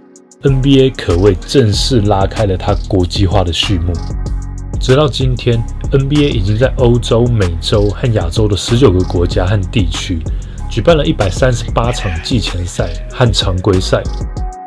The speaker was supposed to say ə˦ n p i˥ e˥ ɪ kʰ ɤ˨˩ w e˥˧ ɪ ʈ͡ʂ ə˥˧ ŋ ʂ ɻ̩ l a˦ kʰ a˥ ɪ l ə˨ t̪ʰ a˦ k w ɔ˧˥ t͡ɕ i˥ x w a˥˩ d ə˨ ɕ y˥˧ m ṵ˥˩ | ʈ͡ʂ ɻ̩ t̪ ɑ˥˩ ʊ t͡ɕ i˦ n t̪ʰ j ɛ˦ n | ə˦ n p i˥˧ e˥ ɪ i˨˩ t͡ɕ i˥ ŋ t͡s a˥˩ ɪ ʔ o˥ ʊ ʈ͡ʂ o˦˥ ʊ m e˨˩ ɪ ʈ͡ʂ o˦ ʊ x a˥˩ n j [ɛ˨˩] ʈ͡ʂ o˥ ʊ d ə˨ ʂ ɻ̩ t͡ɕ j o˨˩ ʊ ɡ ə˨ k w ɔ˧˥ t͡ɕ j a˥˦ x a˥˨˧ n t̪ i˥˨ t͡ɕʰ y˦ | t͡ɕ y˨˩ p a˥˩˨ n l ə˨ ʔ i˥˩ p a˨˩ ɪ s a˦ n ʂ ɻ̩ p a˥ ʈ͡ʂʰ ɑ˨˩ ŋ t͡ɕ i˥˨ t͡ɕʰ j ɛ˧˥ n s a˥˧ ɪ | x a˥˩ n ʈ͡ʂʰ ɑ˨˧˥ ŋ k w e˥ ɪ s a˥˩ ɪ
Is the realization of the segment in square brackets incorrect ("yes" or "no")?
yes